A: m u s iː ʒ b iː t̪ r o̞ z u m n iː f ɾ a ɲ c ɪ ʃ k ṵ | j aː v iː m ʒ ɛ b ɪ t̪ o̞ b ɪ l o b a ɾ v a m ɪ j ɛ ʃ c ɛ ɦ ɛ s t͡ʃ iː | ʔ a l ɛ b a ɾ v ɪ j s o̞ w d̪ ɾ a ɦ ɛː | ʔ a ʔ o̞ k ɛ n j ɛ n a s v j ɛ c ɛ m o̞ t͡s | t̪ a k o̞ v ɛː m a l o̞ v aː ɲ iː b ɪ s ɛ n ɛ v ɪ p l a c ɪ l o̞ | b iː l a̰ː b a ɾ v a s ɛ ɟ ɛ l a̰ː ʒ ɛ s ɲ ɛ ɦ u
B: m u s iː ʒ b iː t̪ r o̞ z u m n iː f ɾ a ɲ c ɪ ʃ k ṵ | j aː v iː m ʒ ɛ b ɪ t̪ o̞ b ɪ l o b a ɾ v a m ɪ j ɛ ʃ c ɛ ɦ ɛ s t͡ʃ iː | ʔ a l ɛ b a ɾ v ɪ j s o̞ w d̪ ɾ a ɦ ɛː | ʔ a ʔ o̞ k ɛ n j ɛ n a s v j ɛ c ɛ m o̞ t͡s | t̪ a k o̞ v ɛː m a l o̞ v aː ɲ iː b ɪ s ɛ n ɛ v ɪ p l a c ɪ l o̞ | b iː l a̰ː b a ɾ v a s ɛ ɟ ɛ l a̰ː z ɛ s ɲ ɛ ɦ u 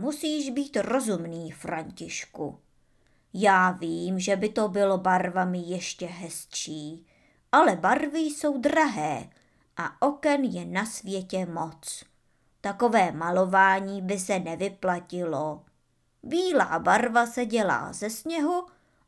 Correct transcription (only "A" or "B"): B